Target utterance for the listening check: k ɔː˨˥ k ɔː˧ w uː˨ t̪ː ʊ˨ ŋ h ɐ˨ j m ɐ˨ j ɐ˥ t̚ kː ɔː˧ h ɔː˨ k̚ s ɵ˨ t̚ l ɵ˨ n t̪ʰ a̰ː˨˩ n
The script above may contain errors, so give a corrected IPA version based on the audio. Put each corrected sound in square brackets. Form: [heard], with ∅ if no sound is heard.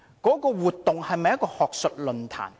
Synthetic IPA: k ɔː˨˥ k ɔː˧ w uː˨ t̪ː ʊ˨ ŋ h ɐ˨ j m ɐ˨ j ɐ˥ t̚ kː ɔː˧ h ɔː˨ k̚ s ɵ˨ t̚ l ɵ˨ n t̪ʰ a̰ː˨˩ n